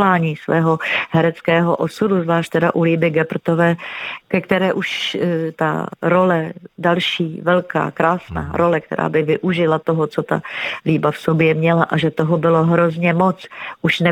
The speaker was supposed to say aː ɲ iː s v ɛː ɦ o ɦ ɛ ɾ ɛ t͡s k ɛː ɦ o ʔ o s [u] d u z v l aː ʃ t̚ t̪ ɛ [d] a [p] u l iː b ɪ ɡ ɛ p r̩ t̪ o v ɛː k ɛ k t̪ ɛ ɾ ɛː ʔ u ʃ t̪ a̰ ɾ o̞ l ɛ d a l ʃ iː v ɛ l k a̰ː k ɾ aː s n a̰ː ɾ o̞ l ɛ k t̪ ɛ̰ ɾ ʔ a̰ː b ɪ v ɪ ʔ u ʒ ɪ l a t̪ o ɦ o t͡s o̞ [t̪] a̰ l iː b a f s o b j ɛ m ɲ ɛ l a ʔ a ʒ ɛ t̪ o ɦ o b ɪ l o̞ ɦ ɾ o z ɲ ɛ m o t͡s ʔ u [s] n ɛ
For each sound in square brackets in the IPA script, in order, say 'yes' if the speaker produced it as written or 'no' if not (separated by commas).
yes, yes, no, yes, no